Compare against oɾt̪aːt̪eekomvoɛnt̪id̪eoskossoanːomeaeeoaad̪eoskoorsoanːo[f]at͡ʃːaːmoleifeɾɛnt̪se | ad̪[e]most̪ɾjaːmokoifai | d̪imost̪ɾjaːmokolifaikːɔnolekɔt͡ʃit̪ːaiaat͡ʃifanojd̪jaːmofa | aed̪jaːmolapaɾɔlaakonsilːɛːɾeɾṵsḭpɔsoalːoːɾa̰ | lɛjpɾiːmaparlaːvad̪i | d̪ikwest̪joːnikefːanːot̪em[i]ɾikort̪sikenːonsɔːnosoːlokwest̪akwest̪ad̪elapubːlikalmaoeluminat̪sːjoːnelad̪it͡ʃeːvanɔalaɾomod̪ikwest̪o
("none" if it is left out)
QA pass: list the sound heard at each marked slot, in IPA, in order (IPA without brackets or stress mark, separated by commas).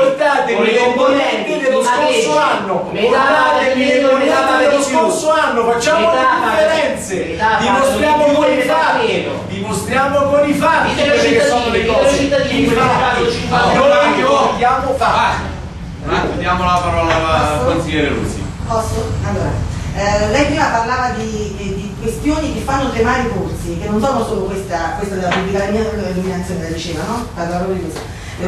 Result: f, i, a